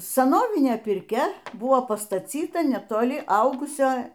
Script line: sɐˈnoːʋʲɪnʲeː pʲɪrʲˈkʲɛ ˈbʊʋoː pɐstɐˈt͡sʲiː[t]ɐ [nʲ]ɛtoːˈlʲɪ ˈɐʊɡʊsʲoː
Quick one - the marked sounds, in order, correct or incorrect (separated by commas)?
correct, correct